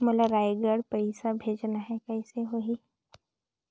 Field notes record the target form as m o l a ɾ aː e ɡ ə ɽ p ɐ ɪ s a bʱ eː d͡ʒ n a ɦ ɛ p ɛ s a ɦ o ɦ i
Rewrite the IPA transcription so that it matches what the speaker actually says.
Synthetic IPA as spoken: m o l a ɾ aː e ɡ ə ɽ p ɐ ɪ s a bʱ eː d͡ʒ n a ɦ ɛ k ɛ s e ɦ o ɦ i